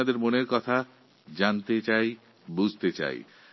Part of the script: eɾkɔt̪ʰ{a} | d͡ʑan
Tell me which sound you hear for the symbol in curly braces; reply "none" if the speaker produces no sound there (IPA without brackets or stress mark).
a